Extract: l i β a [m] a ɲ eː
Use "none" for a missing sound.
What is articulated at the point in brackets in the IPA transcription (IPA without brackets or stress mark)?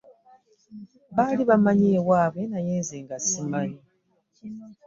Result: m